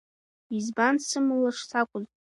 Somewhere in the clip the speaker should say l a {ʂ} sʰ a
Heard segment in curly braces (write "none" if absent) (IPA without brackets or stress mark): ʂ